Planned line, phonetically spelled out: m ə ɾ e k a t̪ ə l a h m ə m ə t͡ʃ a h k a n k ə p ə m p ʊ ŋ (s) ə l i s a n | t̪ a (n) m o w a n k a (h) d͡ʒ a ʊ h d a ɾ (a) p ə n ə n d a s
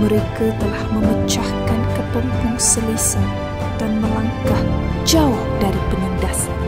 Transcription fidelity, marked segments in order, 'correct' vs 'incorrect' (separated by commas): correct, correct, correct, incorrect